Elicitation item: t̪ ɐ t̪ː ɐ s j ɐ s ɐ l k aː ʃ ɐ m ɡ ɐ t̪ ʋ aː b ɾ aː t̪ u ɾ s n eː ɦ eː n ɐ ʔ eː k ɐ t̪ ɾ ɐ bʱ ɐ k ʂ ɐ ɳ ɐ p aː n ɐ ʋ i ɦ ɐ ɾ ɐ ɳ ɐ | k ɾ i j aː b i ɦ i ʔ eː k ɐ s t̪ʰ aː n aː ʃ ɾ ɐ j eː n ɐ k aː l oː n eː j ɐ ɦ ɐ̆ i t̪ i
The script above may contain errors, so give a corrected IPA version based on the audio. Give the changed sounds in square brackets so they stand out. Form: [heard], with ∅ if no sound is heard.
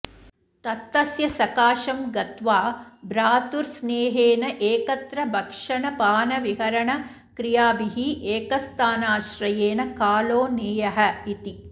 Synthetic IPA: t̪ ɐ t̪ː ɐ s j ɐ s ɐ [∅] k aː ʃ ɐ m ɡ ɐ t̪ ʋ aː b ɾ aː t̪ u ɾ s n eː ɦ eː n ɐ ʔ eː k ɐ t̪ ɾ ɐ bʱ ɐ k ʂ ɐ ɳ ɐ p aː n ɐ ʋ i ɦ ɐ ɾ ɐ ɳ ɐ | k ɾ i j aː b i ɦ i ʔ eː k ɐ s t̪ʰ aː n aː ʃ ɾ ɐ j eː n ɐ k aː l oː n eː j ɐ ɦ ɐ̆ i t̪ i